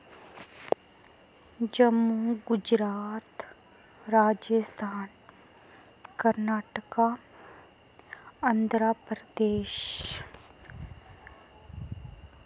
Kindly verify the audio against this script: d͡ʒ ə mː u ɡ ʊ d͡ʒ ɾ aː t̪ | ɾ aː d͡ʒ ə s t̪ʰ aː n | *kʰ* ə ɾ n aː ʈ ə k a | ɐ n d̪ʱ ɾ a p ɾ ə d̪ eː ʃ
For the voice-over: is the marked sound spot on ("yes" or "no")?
no